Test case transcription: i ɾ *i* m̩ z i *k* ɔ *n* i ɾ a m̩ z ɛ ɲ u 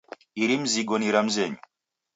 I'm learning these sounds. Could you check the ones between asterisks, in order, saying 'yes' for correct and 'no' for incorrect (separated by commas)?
yes, no, yes